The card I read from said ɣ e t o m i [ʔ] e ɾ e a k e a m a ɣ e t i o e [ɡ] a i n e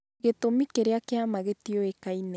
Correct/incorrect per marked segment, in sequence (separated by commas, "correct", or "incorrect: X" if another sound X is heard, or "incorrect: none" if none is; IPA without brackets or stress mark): incorrect: k, incorrect: k